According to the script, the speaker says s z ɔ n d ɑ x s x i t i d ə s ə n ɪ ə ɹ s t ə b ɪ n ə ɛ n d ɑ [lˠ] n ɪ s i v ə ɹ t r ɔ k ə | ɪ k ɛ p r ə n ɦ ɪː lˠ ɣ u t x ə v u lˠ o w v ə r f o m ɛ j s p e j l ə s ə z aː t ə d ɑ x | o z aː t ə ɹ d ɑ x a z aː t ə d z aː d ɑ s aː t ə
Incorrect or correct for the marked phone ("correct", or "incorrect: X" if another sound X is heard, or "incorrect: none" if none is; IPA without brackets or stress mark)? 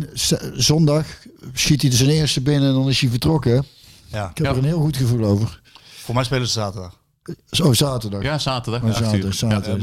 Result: incorrect: none